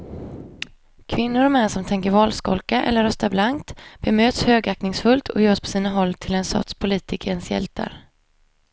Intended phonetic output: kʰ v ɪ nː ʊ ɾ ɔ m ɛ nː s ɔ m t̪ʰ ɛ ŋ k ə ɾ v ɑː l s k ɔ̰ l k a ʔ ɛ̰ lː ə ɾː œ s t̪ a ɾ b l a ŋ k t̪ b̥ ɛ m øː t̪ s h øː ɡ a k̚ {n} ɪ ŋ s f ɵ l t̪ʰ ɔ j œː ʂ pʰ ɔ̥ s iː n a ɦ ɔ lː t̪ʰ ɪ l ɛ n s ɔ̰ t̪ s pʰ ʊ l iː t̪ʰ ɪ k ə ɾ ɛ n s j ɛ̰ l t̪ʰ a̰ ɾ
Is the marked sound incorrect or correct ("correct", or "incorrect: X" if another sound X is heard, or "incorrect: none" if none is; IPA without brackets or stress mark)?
correct